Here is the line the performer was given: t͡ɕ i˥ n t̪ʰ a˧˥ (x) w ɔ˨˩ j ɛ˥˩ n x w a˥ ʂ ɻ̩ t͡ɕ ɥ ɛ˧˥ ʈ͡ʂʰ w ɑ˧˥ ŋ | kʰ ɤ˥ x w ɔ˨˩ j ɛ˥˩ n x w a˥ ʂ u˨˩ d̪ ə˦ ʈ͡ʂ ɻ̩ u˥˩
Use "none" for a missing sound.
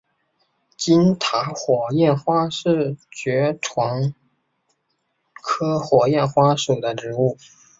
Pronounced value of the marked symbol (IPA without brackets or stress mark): x